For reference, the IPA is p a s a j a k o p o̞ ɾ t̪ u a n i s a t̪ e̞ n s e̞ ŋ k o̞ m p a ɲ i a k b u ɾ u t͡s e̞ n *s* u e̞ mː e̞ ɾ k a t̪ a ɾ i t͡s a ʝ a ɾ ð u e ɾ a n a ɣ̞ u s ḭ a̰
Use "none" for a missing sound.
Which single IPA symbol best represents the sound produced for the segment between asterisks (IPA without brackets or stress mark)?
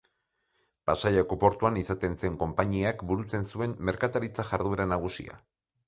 s